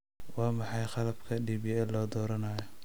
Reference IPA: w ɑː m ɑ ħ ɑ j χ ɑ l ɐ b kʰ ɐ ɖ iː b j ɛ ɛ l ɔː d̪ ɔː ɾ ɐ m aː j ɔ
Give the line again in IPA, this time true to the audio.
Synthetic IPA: w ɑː m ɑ ħ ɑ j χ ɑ l ɐ b kʰ ɐ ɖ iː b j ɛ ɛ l ɔː d̪ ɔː ɾ ɐ n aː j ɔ